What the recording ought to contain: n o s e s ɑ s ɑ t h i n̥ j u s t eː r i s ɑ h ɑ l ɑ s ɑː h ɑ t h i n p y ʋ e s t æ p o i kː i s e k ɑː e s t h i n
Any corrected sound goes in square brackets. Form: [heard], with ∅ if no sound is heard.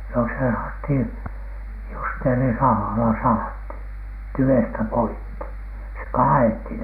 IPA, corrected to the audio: n o s e s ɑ [h] ɑ t h i n̥ j u s t eː r i s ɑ h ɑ l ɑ s [ɑ] h ɑ t h i n [t] y ʋ e s t æ p o i kː i s e k ɑː e [∅] t h i n